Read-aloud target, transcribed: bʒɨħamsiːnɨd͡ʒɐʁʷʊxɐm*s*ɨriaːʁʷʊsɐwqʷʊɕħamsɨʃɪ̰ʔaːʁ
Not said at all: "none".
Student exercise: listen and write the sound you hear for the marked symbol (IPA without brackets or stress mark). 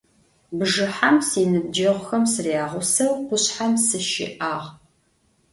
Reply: s